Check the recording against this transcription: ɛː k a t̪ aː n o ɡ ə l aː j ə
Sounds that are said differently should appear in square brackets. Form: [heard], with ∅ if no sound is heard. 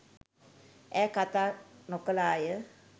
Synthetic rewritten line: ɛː k a t̪ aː n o [k] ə l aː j ə